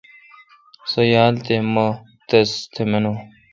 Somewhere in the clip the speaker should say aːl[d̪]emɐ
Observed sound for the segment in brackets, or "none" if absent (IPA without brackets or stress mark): t̪